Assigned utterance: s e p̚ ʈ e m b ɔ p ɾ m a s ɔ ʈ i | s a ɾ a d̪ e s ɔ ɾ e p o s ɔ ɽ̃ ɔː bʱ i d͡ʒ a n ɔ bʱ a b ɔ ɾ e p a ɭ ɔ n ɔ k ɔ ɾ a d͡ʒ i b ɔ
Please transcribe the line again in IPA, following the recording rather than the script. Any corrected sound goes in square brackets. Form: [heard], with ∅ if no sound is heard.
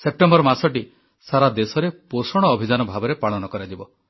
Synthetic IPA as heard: s e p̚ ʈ e m b ɔ [∅] ɾ m a s ɔ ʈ i | s a ɾ a d̪ e s ɔ ɾ e p o s ɔ ɽ̃ ɔː bʱ i d͡ʒ a n ɔ bʱ a b ɔ ɾ e p a ɭ ɔ n ɔ k ɔ ɾ a d͡ʒ i b ɔ

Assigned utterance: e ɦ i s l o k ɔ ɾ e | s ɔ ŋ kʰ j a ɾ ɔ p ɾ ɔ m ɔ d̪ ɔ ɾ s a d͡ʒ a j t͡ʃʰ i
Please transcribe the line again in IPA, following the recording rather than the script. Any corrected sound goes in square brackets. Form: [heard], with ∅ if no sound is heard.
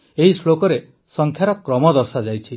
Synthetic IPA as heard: e ɦ i s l o k ɔ ɾ e | s ɔ ŋ kʰ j a ɾ ɔ [k] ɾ ɔ m ɔ d̪ ɔ ɾ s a d͡ʒ a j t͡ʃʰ i

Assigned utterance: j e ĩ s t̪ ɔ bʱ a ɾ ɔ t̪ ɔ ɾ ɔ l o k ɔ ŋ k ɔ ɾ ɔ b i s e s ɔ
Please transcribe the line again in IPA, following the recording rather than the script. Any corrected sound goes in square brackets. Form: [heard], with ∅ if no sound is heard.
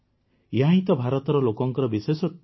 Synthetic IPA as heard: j [a] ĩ [∅] t̪ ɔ bʱ a ɾ ɔ t̪ ɔ ɾ ɔ l o k ɔ ŋ k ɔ ɾ ɔ b i s e s ɔ

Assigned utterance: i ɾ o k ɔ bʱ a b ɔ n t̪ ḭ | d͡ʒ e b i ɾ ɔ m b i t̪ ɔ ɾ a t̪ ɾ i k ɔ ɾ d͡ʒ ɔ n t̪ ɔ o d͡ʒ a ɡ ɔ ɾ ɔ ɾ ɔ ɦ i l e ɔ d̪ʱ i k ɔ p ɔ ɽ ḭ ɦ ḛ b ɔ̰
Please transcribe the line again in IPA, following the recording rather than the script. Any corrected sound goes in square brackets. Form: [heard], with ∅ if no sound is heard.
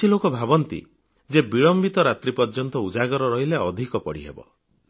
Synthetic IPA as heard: i [l] o k ɔ bʱ a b ɔ n t̪ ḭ | d͡ʒ e b i [ɭ] ɔ m b i t̪ ɔ ɾ a t̪ ɾ i [p] ɔ ɾ d͡ʒ ɔ n t̪ ɔ [u] d͡ʒ a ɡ ɔ ɾ ɔ ɾ ɔ ɦ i l e ɔ d̪ʱ i k ɔ p ɔ ɽ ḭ ɦ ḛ b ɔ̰

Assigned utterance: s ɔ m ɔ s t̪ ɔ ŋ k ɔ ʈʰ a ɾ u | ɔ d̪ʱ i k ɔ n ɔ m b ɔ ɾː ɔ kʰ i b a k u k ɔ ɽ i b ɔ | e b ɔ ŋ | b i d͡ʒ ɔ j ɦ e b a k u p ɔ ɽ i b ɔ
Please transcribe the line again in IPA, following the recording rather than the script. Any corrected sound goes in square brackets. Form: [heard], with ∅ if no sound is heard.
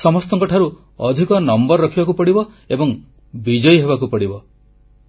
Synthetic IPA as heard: s ɔ m ɔ s t̪ ɔ ŋ k ɔ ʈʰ a ɾ u | ɔ d̪ʱ i k ɔ n ɔ m b ɔ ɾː ɔ kʰ i b a k u [p] ɔ ɽ i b ɔ | e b ɔ ŋ | b i d͡ʒ ɔ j ɦ e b a k u p ɔ ɽ i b ɔ

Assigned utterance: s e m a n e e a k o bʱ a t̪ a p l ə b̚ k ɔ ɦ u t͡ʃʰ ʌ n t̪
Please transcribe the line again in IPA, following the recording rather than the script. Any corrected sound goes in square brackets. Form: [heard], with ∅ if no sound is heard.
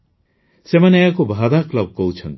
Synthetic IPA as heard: s e m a n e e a k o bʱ a [d̪] a [k] l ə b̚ k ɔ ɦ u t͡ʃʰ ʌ n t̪

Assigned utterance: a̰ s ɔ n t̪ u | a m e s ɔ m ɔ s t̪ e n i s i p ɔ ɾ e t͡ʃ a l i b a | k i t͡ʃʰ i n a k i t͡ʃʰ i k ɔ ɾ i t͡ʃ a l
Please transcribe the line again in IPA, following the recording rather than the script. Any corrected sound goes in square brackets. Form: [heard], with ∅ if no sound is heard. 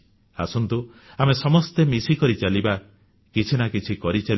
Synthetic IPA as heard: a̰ s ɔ n t̪ u | a m e s ɔ m ɔ s t̪ e [m] i s i [k] ɔ ɾ [i] t͡ʃ a l i b a | k i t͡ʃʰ i n a k i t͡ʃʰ i k ɔ ɾ i t͡ʃ a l

